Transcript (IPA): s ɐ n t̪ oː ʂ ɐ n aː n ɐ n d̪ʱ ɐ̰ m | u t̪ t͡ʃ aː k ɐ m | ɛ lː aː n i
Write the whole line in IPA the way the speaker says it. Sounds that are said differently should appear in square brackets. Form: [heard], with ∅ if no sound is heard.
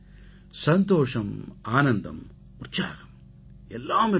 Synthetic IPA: s ɐ n t̪ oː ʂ ɐ [m] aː n ɐ n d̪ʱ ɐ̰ m | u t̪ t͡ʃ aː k ɐ m | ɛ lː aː [m] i